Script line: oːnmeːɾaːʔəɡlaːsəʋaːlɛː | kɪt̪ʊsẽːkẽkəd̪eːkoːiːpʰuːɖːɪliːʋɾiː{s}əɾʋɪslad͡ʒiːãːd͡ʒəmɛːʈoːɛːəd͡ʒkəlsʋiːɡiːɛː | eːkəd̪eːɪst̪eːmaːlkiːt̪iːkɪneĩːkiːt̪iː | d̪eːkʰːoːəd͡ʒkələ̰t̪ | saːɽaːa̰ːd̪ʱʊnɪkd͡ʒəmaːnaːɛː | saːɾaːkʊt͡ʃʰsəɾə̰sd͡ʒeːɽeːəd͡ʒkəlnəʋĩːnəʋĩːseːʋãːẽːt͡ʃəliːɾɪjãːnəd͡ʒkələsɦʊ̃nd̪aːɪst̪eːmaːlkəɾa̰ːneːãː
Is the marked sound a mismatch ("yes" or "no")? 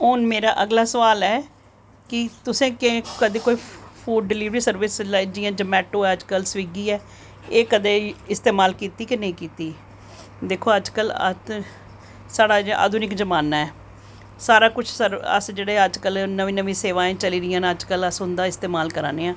no